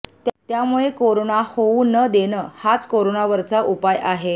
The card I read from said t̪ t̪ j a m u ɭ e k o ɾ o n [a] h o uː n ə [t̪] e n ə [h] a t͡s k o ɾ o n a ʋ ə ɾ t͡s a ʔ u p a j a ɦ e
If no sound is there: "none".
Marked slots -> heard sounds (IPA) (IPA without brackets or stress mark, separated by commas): a, d̪, h